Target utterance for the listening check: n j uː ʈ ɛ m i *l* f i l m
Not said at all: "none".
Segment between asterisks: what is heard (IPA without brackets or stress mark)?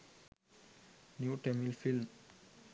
l